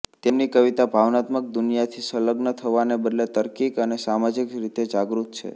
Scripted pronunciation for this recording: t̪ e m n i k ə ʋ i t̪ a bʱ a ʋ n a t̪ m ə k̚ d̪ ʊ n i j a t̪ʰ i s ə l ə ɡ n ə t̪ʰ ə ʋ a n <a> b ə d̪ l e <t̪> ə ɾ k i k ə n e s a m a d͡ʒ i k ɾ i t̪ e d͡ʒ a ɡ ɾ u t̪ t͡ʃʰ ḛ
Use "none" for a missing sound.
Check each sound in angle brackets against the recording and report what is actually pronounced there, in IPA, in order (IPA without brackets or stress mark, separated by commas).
e, t̪